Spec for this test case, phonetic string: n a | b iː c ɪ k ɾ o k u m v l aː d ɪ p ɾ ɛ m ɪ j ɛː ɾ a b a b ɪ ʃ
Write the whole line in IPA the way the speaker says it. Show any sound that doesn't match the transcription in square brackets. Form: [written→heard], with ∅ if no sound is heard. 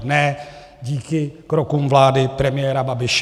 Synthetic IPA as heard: n [a→ɛ] | [b→ɟ] iː [c→k] ɪ k ɾ o k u m v l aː d ɪ p ɾ ɛ m ɪ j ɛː ɾ a b a b ɪ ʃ